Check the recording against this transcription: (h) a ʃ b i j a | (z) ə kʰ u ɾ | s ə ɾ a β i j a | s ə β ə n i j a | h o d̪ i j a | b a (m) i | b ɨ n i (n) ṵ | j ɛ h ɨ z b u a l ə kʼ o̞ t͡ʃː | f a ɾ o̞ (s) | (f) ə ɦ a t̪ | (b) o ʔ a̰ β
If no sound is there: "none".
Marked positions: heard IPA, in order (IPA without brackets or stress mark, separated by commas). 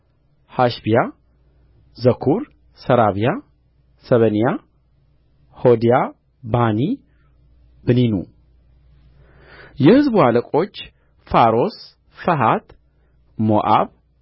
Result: h, z, n, n, s, f, m